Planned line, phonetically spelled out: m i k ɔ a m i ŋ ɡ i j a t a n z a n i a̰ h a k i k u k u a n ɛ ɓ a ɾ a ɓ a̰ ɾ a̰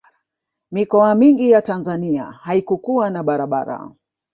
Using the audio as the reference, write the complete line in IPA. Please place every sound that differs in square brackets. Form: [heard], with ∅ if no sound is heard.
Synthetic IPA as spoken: m i k ɔ a m i ŋ ɡ i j a t a n z a n i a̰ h a [∅] i k u k u a n [a] ɓ a ɾ a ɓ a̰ ɾ a̰